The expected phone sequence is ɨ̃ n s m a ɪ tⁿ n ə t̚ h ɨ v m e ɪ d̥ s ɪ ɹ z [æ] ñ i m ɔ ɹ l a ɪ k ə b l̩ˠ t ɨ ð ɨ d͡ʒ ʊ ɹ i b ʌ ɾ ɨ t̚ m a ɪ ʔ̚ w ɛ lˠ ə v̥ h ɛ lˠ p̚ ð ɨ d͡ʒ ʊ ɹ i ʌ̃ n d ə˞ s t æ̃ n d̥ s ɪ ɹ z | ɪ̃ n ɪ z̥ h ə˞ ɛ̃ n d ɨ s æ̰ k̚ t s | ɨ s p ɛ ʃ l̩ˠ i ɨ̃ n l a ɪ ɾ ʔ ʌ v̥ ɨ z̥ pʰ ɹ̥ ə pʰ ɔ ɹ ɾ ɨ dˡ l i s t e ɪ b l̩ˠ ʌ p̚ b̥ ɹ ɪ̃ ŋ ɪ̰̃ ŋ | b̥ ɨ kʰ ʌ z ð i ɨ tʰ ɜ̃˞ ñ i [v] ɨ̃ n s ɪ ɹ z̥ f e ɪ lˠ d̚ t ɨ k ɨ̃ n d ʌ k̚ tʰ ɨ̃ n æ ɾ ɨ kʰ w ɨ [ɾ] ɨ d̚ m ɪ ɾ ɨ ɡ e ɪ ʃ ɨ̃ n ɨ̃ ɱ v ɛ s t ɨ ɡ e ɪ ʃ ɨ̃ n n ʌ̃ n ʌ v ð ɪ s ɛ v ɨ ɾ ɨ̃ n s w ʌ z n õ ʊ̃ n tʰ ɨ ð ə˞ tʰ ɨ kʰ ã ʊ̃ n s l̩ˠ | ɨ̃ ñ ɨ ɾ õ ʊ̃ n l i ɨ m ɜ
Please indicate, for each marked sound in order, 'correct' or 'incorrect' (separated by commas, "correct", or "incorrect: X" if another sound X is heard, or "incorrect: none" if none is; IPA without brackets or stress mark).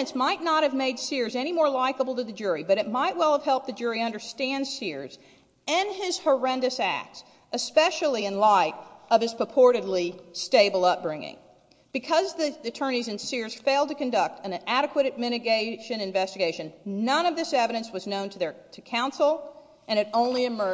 incorrect: ɛ, incorrect: z, correct